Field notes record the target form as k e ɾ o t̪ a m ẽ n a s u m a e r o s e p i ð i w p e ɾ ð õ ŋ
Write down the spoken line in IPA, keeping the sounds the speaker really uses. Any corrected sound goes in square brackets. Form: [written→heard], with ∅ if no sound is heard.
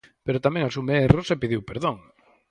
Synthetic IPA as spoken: [k→p] e ɾ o t̪ a m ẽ [n→ŋ] a s u m [a→e] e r o s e p i ð i w p e ɾ ð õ ŋ